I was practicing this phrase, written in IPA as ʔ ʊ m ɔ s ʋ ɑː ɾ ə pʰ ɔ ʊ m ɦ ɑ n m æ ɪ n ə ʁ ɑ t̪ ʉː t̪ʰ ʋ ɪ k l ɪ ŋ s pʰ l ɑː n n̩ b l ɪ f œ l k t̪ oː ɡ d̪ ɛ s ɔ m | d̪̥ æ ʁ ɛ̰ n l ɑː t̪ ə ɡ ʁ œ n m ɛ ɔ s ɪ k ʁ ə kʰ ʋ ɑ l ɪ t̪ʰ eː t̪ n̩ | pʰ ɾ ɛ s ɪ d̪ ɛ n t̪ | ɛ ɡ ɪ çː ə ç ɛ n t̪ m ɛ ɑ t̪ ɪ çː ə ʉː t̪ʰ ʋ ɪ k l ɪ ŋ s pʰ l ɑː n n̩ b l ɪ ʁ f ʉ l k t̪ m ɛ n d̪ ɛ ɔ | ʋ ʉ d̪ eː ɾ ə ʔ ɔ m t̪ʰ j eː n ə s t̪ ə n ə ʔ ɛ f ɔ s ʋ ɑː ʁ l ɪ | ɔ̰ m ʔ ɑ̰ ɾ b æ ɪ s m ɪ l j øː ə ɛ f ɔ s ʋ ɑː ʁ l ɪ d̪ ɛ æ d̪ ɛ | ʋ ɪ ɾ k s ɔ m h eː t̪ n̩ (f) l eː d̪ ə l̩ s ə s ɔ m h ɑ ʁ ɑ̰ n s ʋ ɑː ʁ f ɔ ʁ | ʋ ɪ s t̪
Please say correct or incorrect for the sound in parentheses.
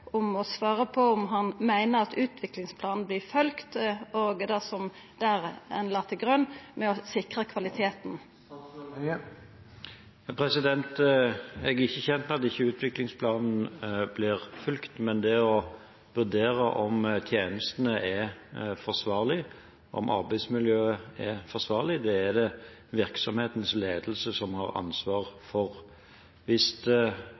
incorrect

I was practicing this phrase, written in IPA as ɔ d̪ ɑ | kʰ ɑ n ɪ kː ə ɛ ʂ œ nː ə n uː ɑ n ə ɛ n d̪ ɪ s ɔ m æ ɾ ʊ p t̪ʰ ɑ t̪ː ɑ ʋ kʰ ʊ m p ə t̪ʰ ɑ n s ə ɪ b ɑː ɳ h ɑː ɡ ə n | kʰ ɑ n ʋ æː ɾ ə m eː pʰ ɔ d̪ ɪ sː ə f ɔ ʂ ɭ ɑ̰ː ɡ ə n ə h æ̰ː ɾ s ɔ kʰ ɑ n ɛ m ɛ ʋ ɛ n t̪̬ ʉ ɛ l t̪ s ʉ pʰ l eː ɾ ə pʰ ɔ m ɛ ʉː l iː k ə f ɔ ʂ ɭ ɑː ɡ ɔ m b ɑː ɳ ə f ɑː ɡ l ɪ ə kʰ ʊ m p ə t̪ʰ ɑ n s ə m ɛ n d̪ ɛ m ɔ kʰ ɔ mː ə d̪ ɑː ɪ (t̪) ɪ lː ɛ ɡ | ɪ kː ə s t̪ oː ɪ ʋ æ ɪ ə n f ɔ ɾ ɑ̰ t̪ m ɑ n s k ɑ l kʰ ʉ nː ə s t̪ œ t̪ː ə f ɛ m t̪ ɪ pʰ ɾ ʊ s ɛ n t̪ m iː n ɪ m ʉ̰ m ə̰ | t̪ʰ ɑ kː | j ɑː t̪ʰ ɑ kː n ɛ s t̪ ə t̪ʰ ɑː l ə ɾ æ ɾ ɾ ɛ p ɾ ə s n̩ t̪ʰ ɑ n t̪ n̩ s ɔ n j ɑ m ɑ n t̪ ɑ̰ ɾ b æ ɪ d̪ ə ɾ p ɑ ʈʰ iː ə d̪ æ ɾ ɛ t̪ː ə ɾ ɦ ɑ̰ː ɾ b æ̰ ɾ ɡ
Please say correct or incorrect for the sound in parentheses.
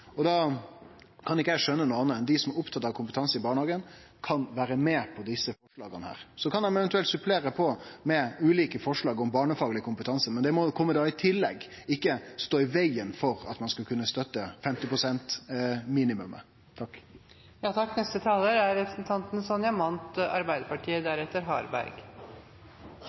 incorrect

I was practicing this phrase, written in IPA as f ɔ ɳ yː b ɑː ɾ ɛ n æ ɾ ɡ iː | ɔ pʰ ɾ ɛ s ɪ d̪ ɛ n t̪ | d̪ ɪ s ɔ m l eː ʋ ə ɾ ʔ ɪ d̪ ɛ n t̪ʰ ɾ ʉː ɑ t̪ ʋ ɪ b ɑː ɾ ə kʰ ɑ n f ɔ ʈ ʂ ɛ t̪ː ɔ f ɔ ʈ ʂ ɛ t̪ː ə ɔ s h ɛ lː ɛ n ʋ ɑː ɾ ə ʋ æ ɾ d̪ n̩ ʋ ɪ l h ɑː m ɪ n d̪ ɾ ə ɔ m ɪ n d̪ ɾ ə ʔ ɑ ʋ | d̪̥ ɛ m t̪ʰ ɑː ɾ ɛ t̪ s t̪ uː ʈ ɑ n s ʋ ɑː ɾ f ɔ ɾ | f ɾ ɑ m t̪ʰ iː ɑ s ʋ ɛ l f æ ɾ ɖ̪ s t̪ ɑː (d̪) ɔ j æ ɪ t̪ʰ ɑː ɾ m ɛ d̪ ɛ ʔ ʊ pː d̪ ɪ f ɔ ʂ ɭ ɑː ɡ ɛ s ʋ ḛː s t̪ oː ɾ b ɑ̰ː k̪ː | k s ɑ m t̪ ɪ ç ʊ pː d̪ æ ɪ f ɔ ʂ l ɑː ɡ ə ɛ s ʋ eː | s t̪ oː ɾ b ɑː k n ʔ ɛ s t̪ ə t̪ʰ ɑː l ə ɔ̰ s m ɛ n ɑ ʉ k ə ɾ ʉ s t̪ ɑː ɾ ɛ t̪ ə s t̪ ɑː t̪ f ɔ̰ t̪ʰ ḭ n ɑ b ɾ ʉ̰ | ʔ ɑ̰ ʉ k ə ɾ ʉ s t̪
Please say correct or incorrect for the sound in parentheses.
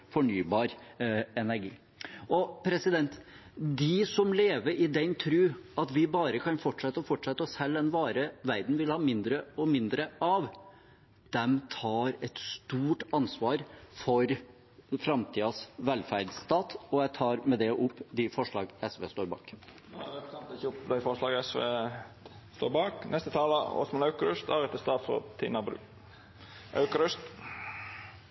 incorrect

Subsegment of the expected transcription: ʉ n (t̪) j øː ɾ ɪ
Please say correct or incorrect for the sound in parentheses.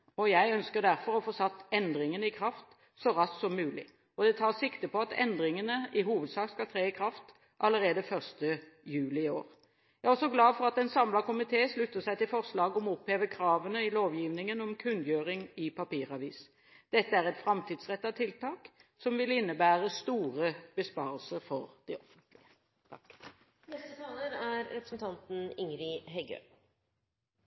incorrect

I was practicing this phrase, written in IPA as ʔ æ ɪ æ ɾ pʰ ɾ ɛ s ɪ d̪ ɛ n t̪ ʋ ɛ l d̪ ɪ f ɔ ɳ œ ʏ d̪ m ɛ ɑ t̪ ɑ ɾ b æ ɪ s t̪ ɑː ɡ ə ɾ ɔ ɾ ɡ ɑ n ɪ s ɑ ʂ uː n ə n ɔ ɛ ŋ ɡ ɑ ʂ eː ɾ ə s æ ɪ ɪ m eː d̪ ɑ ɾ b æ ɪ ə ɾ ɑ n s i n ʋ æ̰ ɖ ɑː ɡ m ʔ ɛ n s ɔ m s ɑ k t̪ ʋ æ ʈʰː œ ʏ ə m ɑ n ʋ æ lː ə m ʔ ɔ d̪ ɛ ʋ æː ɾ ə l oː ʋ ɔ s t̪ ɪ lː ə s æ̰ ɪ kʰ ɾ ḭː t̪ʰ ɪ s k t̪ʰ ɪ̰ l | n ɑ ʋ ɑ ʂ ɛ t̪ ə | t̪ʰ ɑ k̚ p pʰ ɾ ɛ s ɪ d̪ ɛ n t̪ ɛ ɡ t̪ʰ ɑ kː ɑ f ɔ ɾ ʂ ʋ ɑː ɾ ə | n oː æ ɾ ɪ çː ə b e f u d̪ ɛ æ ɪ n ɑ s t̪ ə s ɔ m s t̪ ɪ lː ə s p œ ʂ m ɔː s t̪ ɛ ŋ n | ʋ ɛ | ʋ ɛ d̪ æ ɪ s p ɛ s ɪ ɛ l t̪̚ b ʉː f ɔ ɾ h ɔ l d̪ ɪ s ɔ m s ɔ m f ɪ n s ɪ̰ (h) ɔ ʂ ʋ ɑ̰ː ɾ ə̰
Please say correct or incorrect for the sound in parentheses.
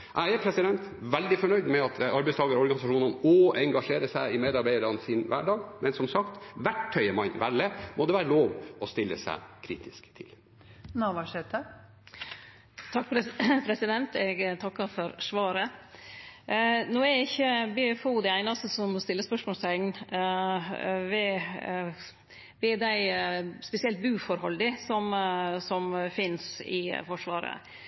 incorrect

